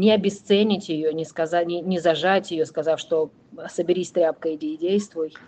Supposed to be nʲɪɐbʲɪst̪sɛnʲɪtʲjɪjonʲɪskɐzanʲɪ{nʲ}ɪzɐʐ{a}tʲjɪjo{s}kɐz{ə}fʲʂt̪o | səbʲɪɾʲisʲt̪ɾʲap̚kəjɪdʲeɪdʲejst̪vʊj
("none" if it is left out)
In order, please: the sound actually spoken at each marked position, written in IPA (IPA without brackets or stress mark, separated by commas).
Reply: nʲ, a, s, a